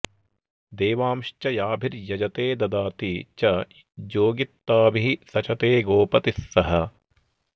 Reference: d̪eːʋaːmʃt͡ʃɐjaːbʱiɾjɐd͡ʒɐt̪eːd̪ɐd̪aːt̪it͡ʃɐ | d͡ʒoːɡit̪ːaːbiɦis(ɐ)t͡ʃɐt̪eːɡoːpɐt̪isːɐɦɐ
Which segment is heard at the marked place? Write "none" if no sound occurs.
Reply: ɐ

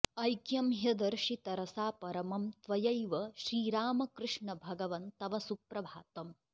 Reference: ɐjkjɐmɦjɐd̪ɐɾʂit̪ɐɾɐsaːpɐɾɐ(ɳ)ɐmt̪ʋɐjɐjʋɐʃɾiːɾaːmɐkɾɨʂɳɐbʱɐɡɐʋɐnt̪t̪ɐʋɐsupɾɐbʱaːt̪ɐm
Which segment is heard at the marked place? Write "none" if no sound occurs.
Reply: m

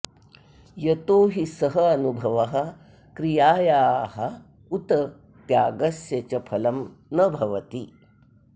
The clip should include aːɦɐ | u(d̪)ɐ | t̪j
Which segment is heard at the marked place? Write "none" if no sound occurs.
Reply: t̪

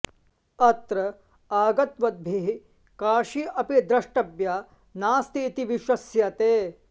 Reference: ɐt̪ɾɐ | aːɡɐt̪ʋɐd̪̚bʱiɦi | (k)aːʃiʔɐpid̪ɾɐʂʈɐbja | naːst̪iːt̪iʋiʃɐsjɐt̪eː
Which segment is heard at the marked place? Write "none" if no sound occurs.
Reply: k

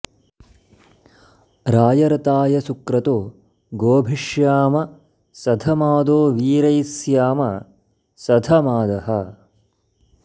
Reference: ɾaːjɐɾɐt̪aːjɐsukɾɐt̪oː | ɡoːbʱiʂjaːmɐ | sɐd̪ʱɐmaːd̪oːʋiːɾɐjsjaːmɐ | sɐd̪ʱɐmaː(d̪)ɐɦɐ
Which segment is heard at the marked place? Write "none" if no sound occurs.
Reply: d̪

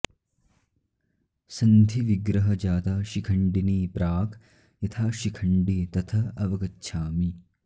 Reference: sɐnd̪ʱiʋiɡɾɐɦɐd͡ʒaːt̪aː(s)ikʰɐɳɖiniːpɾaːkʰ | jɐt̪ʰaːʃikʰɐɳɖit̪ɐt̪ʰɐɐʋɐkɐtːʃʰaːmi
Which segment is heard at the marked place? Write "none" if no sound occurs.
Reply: ʃ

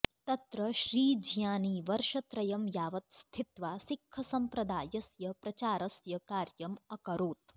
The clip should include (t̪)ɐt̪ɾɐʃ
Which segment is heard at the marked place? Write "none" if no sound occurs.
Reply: t̪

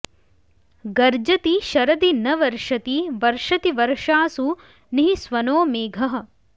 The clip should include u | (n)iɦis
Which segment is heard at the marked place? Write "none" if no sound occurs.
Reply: n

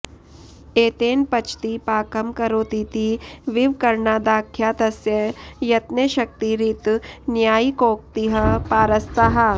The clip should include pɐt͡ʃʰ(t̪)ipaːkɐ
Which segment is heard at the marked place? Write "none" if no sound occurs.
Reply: t̪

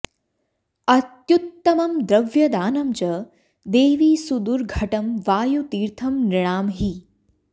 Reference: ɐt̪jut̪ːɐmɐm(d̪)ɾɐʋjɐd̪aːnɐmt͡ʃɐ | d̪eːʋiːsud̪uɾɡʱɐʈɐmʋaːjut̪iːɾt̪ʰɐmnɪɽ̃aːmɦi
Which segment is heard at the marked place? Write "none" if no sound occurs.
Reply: d̪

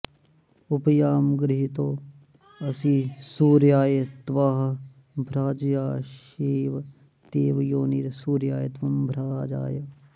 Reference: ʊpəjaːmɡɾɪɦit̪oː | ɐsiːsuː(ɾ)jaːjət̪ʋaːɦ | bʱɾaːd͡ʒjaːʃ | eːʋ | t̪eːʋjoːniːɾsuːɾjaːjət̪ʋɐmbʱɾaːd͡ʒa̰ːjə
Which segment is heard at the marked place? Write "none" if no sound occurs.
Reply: ɾ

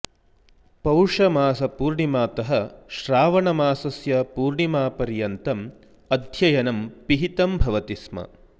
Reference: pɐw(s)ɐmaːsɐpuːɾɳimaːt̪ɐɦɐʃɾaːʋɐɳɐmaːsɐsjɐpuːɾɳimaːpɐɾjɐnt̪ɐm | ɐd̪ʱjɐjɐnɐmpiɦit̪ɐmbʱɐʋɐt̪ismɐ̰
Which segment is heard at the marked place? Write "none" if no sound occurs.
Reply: ʂ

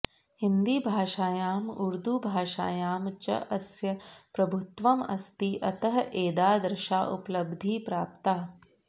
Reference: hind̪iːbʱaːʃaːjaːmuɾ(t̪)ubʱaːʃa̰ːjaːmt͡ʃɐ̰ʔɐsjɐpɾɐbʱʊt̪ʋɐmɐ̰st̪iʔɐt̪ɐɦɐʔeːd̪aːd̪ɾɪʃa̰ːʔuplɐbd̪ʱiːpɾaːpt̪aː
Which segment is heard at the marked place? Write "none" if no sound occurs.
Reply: d̪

